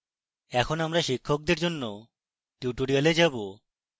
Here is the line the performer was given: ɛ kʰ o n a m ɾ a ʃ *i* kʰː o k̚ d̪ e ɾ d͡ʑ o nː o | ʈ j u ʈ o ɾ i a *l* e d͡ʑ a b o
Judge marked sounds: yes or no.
yes, yes

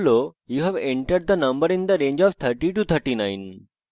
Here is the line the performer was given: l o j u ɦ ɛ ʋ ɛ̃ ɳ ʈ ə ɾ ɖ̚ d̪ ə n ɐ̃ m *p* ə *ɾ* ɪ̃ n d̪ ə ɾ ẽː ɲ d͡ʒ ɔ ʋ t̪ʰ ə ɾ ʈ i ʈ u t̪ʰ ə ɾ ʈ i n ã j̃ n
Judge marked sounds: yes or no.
no, yes

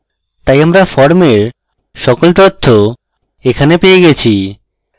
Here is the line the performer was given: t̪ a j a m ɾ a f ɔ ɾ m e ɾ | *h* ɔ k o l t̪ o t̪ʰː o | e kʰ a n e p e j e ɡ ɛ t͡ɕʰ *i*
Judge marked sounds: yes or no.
no, yes

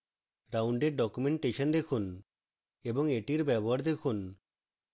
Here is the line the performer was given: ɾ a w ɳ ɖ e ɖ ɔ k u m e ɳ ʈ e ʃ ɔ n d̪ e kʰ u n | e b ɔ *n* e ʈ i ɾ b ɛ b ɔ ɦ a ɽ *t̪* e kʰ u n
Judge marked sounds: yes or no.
no, no

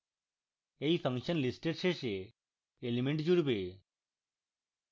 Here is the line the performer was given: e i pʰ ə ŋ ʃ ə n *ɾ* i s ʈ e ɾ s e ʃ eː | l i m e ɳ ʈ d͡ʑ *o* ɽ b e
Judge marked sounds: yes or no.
no, no

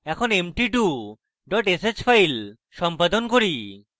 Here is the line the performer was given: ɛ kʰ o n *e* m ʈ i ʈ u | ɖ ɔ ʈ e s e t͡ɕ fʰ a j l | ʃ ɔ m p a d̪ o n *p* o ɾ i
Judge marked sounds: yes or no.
yes, no

